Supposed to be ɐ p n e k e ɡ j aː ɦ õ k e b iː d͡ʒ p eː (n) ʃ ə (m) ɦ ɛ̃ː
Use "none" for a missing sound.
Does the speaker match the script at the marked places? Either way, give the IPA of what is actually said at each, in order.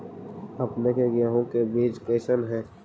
none, n

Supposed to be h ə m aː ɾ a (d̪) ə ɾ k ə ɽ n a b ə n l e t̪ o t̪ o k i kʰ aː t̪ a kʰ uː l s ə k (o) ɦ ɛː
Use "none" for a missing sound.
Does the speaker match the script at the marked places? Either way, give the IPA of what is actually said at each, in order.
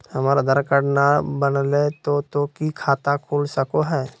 d̪, o

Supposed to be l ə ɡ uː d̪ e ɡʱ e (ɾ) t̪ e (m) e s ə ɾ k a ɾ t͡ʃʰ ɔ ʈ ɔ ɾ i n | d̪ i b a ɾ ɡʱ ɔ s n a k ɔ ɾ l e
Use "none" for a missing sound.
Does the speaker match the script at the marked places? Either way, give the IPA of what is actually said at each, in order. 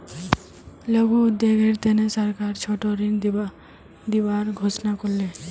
ɾ, n

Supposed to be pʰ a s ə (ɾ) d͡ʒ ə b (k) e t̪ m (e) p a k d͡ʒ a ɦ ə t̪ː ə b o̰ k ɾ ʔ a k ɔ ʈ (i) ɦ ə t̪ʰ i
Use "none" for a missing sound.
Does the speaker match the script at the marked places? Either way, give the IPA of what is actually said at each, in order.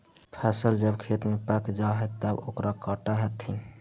l, kʰ, e, a

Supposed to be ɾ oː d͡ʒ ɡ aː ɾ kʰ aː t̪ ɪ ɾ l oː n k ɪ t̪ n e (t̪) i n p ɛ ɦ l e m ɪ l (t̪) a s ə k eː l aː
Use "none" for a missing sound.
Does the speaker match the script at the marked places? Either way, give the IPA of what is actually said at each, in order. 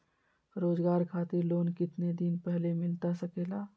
d̪, t̪

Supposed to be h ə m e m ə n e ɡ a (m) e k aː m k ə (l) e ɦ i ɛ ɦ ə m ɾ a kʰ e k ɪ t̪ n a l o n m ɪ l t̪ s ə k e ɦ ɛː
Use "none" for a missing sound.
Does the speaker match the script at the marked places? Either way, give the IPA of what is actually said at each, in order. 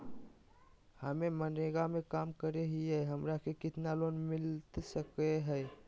m, ɾ

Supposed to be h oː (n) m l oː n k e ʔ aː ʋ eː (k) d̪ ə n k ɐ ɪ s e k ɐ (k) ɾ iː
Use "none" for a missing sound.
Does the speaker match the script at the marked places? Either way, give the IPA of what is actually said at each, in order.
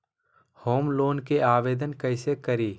none, none, none

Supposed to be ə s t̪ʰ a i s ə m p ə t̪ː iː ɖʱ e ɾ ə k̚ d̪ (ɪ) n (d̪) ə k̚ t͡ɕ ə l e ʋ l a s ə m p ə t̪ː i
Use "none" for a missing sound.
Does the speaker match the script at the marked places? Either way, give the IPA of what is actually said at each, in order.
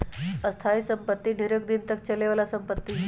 i, t̪

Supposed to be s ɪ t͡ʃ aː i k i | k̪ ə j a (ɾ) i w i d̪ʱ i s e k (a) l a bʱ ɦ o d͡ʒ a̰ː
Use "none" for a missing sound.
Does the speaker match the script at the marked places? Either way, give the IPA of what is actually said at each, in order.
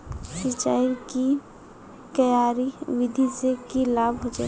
ɾ, i

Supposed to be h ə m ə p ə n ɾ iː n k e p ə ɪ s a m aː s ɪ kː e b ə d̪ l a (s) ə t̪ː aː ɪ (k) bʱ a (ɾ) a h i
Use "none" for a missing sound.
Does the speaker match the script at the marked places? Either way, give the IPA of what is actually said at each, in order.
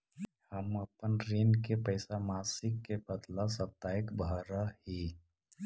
s, k, ɾ

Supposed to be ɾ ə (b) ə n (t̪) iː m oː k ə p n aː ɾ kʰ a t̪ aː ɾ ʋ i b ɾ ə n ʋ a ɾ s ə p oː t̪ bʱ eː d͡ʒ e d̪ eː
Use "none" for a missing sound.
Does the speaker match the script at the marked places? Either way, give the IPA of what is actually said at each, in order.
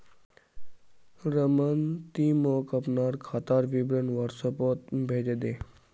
m, t̪

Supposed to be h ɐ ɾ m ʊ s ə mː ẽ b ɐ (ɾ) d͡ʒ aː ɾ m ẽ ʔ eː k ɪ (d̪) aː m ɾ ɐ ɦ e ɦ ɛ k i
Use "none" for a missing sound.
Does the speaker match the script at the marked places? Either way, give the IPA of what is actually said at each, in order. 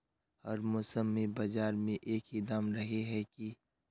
none, d̪

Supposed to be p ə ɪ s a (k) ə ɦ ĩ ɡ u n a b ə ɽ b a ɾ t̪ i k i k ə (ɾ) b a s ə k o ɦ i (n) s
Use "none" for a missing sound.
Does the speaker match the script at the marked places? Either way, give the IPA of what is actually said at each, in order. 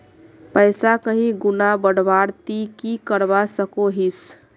k, ɾ, none

